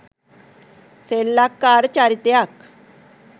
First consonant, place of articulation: alveolar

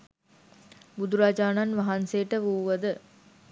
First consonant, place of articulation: labial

